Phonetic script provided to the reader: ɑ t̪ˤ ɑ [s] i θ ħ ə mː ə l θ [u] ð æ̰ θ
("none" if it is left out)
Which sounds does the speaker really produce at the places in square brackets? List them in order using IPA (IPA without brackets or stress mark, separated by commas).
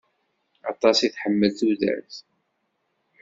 s, u